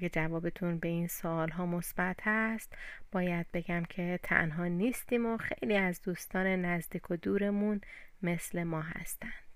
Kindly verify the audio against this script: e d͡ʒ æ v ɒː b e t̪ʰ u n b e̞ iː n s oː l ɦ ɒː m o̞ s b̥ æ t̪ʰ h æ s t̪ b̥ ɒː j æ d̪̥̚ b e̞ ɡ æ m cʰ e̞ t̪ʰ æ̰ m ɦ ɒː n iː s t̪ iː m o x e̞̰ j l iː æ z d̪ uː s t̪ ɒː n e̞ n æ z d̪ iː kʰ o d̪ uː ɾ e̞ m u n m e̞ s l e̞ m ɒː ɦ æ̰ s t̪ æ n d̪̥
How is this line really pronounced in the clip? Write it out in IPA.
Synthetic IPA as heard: e d͡ʒ æ v ɒː b e t̪ʰ u n b e̞ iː n s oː l ɦ ɒː m o̞ s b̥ æ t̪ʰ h æ s t̪ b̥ ɒː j æ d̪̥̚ b e̞ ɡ æ m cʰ e̞ t̪ʰ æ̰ n ɦ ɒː n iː s t̪ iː m o x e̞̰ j l iː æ z d̪ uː s t̪ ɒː n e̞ n æ z d̪ iː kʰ o d̪ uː ɾ e̞ m u n m e̞ s l e̞ m ɒː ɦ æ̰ s t̪ æ n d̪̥